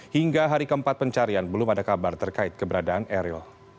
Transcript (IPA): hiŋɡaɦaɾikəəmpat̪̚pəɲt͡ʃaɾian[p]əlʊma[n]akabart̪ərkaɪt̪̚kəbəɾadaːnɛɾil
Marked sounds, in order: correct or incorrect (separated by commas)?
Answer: incorrect, incorrect